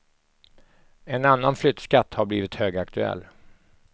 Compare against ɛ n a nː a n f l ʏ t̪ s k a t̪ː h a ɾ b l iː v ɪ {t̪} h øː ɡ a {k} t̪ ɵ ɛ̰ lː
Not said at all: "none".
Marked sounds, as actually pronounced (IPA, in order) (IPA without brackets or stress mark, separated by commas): t̪, k